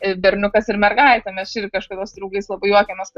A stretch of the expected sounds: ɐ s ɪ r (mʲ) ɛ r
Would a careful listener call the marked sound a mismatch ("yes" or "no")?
no